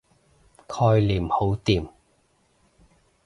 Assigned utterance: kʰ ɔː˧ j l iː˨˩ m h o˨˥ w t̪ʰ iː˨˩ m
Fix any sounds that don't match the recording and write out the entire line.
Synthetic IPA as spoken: kʰ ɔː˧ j l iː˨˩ m h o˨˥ w t̪ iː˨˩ m